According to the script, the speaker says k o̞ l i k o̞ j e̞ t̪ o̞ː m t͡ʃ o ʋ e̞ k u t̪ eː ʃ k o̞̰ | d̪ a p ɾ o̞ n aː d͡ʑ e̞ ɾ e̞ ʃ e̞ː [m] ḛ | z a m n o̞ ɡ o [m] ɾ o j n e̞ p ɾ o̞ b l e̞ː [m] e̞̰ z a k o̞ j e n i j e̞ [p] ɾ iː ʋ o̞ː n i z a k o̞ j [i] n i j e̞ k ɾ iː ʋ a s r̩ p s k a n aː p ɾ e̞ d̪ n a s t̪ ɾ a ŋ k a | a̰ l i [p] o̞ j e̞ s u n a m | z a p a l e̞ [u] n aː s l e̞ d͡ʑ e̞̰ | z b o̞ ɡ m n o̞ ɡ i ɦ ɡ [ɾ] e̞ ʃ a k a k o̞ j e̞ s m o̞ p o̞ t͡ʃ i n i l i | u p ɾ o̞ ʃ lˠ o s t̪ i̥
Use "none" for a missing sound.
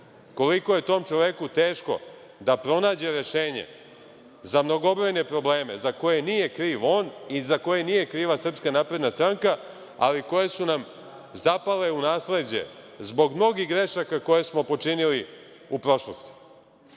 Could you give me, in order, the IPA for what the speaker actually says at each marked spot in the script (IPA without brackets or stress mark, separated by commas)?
ɲ, b, m, k, e, k, u, ɾ